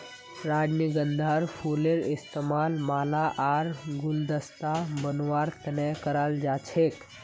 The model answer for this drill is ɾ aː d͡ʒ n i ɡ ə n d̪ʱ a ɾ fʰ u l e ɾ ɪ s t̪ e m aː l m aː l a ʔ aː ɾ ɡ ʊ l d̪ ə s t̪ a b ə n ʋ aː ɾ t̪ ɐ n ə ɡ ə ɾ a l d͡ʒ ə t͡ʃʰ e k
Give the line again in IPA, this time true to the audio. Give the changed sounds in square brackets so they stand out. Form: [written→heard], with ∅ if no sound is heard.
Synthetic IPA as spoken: ɾ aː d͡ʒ n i ɡ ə n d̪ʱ a ɾ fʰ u l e ɾ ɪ s t̪ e m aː l m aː l a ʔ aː ɾ ɡ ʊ l d̪ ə s t̪ a b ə n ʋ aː ɾ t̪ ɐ n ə [ɡ→k] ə ɾ a l d͡ʒ [ə→a] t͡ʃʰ e k